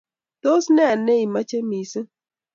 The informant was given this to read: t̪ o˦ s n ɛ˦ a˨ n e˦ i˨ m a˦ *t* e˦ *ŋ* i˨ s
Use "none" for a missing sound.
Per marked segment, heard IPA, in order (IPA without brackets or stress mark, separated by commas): t͡ʃ, m